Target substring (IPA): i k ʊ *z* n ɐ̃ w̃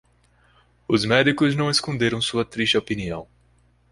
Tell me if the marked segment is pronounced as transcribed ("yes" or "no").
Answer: yes